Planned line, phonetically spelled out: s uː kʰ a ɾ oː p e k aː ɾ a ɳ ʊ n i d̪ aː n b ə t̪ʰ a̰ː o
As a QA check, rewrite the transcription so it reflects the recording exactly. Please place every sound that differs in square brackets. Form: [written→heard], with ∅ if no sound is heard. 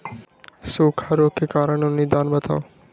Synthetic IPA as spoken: s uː kʰ a ɾ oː [p→k] e k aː ɾ [a→ə] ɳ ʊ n i d̪ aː n b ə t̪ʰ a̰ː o